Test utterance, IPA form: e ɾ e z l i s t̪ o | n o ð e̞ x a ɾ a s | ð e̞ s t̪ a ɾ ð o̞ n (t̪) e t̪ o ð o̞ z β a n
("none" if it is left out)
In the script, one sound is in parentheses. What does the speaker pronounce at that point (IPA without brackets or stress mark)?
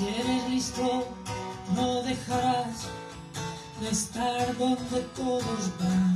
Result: d̪